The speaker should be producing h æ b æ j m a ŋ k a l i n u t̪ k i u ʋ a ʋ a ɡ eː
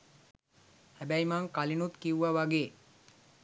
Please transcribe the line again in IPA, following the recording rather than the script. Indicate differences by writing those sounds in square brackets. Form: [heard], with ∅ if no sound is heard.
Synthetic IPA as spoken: h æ b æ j m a ŋ k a l i n u t̪ k i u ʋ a ʋ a ɡ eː